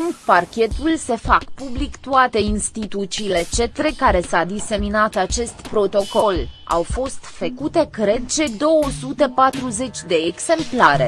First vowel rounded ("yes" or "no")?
no